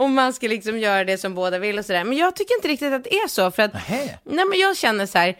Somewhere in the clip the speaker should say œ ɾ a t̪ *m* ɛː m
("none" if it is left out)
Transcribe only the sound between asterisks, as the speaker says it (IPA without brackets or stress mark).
n